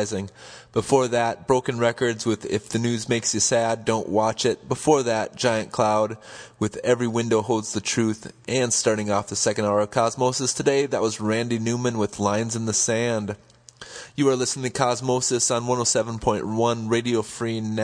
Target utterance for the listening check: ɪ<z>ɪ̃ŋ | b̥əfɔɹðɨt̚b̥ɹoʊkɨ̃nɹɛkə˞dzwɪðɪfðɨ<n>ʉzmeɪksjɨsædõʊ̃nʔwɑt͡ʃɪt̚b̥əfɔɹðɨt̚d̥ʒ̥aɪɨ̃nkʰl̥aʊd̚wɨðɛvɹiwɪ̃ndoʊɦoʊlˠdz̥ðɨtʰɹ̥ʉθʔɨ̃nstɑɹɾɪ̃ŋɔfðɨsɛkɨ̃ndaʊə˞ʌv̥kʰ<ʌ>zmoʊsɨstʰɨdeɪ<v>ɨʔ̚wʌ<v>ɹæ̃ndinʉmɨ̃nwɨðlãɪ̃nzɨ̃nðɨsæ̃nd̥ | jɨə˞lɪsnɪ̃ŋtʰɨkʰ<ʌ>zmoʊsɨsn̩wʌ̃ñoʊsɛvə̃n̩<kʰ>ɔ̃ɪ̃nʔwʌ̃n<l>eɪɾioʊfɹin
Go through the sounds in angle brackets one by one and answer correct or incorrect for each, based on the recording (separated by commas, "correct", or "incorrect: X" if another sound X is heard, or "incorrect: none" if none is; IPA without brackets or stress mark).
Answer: correct, correct, incorrect: ɑ, incorrect: ð, incorrect: z, incorrect: ɑ, incorrect: pʰ, incorrect: ɹ